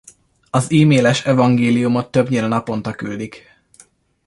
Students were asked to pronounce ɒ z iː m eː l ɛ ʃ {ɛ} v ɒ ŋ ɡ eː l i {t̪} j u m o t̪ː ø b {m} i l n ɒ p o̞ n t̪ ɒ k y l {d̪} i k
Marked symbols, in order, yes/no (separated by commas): yes, no, no, yes